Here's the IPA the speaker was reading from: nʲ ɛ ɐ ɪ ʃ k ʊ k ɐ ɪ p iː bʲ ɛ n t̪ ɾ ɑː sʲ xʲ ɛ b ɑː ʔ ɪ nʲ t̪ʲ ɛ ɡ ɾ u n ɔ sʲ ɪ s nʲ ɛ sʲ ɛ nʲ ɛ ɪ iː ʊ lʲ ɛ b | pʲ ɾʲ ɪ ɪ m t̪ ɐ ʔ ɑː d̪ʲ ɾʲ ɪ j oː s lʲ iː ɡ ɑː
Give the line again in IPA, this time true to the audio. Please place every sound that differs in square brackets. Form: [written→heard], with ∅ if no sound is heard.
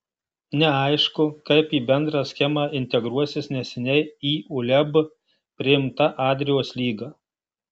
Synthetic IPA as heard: nʲ ɛ ɐ ɪ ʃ k ʊ k ɐ ɪ p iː bʲ ɛ n [t̪→d̪] ɾ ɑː sʲ xʲ ɛ [b→m] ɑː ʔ ɪ nʲ t̪ʲ ɛ ɡ ɾ u [n→∅] ɔ sʲ ɪ s nʲ ɛ sʲ ɛ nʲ ɛ ɪ iː ʊ lʲ ɛ b | pʲ ɾʲ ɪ ɪ m t̪ ɐ ʔ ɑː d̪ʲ ɾʲ ɪ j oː s lʲ iː ɡ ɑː